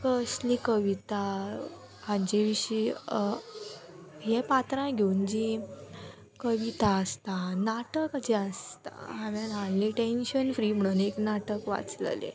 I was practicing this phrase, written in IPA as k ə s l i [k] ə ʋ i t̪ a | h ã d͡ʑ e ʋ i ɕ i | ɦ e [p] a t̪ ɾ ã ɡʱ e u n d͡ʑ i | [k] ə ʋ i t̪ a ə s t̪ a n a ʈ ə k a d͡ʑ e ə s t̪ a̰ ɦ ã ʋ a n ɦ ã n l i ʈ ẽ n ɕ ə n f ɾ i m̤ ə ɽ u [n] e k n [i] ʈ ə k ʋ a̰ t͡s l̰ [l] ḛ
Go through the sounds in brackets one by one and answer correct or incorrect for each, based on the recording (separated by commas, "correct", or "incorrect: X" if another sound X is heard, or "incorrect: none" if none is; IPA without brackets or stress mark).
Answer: correct, correct, correct, correct, incorrect: a, correct